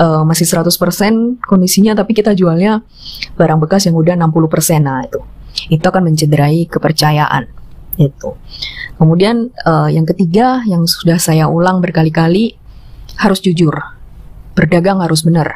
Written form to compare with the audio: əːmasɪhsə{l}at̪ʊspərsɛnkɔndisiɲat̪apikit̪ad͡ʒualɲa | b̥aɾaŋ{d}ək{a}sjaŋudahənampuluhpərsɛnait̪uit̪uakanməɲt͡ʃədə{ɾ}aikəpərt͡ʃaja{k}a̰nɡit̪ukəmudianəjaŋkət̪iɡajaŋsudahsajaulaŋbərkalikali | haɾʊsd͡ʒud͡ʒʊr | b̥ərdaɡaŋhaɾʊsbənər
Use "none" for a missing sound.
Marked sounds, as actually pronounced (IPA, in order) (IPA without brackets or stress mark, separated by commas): ɾ, b, a, ɾ, ʔ